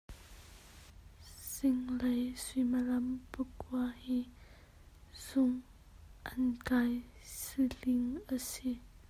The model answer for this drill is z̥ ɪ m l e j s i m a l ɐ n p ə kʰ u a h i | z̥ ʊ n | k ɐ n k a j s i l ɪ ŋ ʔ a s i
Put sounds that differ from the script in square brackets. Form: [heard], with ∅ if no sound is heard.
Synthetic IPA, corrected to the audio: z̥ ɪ [ŋ] l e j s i m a l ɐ [m] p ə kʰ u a h i | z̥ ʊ [ŋ] | [ʔ] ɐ n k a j s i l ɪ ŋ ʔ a s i

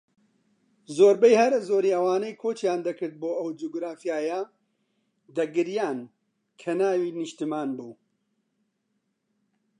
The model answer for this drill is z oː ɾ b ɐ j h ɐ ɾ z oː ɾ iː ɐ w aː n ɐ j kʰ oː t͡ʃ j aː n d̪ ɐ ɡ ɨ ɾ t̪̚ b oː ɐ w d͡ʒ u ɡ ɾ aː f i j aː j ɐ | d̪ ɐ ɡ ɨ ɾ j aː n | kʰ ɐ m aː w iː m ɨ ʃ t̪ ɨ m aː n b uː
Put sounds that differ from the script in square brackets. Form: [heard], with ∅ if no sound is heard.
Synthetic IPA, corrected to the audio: z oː ɾ b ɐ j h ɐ ɾ z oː ɾ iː ɐ w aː n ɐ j kʰ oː t͡ʃ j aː n d̪ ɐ [k] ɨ ɾ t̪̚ b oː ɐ w d͡ʒ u ɡ ɾ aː f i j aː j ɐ | d̪ ɐ ɡ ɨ ɾ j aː n | kʰ ɐ [n] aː w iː [n] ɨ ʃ t̪ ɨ m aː n b uː

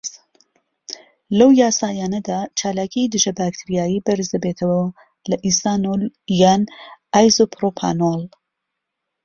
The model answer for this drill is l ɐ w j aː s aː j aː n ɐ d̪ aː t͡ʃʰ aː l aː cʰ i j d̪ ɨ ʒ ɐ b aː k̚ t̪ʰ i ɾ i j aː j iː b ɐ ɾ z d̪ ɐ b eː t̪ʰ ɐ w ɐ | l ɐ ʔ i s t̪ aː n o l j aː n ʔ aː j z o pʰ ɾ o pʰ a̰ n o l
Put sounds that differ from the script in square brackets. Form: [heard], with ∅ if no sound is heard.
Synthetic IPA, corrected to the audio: l ɐ w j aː s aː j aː n ɐ d̪ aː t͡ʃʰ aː l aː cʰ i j d̪ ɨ ʒ ɐ b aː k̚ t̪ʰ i ɾ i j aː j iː b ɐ ɾ z d̪ ɐ b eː t̪ʰ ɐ w ɐ | l ɐ ʔ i s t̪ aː n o l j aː n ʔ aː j z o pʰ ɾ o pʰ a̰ n o l

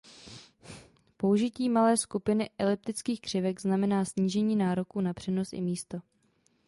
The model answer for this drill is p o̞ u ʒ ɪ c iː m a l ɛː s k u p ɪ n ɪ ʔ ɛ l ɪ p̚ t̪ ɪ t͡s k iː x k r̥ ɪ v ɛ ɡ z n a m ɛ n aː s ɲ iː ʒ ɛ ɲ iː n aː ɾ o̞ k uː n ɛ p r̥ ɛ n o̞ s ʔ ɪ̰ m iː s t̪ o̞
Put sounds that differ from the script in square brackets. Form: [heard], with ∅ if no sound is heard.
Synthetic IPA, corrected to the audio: p o̞ u ʒ ɪ c iː m a l ɛː s k u p ɪ n ɪ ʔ ɛ l ɪ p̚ t̪ ɪ t͡s k iː x k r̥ ɪ v ɛ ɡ z n a m ɛ n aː s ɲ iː ʒ ɛ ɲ iː n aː ɾ o̞ k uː n [a] p r̥ ɛ n o̞ s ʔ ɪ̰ m iː s t̪ o̞

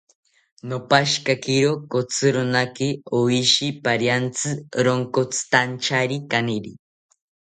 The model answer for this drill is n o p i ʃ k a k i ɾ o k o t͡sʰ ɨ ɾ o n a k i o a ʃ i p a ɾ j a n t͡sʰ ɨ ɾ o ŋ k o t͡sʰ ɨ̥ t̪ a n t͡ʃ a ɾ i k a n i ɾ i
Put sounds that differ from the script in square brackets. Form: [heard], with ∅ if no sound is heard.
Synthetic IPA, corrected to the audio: n o p [a] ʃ k a k i ɾ o k o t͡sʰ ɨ ɾ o n a k i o [i] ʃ i p a ɾ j a n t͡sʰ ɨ ɾ o ŋ k o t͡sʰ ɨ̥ t̪ a n t͡ʃ a ɾ i k a n i ɾ i

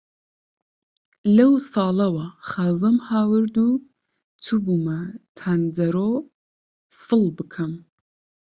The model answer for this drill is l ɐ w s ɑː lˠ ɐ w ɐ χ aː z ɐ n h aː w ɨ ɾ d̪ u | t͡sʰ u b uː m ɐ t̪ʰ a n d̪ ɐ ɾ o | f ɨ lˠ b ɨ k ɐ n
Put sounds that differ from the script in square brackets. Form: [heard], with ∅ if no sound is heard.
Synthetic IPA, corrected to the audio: l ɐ w s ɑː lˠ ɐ w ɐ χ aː z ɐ [m] h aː w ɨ ɾ d̪ u | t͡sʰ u b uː m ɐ t̪ʰ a n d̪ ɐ ɾ o | f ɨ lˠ b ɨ [kʰ] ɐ [m]

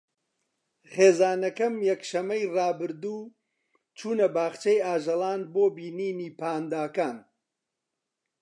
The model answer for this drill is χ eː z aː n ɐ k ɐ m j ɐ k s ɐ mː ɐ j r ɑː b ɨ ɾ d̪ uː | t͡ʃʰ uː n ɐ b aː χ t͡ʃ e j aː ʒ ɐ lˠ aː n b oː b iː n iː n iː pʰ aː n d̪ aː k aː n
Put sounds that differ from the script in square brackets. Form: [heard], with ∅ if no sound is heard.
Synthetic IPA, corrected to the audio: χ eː z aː n ɐ k ɐ m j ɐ k [ʃ] ɐ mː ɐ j r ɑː b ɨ ɾ d̪ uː | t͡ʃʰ uː n ɐ b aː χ t͡ʃ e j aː ʒ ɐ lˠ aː n b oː b iː n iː n iː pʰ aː n d̪ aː k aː n

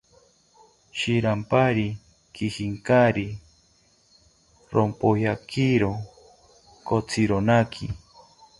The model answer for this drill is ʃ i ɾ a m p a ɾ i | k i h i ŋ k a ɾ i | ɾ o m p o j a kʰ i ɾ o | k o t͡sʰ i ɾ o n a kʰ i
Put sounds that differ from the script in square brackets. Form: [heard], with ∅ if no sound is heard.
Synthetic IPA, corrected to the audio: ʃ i ɾ a m p a ɾ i | k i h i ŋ k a ɾ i | ɾ o m p o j a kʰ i ɾ o | k o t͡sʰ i ɾ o n a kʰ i

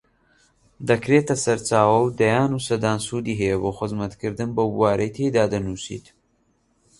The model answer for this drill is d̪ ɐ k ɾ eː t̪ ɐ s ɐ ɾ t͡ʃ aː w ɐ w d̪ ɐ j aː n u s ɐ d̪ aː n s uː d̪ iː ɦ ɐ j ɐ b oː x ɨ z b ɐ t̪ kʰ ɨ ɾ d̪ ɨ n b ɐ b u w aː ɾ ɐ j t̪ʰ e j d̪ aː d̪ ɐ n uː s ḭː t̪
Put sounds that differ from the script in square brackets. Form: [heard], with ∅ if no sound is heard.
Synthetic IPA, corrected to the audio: d̪ ɐ k ɾ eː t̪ ɐ s ɐ ɾ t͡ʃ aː w ɐ w d̪ ɐ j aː n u s ɐ d̪ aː n s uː d̪ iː ɦ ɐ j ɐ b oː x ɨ z [m] ɐ t̪ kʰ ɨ ɾ d̪ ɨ n b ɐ b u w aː ɾ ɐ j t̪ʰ e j d̪ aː d̪ ɐ n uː s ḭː t̪

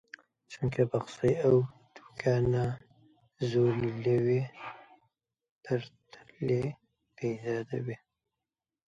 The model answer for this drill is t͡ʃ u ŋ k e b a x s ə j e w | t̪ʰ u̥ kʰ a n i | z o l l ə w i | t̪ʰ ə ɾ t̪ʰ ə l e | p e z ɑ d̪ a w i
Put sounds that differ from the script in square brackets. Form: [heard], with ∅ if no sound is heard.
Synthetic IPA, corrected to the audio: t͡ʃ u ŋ k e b a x s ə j [a] w | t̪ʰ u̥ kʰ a n [a] | z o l l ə w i | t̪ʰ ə ɾ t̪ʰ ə l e | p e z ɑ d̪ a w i

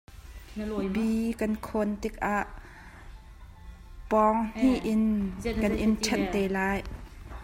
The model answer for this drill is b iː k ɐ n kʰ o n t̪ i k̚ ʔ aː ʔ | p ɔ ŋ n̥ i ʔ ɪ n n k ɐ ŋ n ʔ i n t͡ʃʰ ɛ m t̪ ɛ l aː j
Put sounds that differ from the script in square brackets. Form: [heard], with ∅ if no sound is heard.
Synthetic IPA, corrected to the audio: b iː k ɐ n kʰ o n t̪ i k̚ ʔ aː ʔ | p ɔ ŋ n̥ i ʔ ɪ n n k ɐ [∅] n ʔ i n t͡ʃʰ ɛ [n] t̪ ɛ l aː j

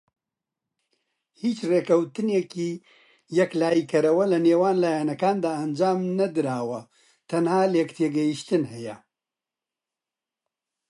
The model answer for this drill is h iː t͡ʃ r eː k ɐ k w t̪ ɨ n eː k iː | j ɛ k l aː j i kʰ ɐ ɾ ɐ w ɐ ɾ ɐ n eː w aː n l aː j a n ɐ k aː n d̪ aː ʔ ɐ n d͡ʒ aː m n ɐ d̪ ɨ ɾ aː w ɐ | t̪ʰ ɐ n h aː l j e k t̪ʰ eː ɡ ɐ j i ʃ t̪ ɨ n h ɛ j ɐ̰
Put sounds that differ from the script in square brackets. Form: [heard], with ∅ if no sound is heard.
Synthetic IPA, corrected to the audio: h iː t͡ʃ r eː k ɐ [∅] w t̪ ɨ n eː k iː | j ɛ k l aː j i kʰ ɐ ɾ ɐ w ɐ [l] ɐ n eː w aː n l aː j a n ɐ k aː n d̪ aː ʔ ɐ n d͡ʒ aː m n ɐ d̪ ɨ ɾ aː w ɐ | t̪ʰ ɐ n h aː l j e k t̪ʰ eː ɡ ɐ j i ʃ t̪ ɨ n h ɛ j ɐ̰

